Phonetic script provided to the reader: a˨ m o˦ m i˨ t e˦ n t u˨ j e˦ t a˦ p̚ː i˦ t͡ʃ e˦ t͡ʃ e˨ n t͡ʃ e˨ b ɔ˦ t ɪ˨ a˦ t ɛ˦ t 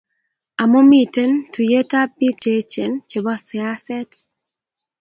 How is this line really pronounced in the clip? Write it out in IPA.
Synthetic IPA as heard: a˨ m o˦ m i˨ t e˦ n t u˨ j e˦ t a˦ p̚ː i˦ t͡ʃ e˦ t͡ʃ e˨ n t͡ʃ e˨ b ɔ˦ s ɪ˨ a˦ s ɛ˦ t